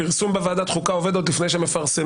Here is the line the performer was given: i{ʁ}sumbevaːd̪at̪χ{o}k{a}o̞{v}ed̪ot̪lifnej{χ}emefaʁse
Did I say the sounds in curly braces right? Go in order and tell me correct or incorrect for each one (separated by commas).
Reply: correct, incorrect, correct, correct, incorrect